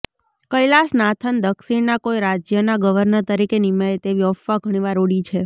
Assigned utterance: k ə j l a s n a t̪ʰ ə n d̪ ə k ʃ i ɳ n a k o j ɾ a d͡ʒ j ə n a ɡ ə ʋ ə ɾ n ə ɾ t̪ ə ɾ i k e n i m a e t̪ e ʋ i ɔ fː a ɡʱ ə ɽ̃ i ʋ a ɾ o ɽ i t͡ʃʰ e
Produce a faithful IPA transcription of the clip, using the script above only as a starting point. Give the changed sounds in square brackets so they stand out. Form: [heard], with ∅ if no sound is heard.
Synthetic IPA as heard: k ə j l a s n a t̪ʰ ə n d̪ ə k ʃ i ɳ n a k o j ɾ a d͡ʒ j ə n a ɡ ə ʋ ə ɾ n ə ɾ t̪ ə ɾ i k e n i m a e t̪ e ʋ i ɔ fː a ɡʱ ə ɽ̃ i ʋ a ɾ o ɽ i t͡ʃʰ e